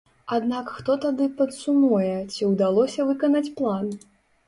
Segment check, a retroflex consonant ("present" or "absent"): absent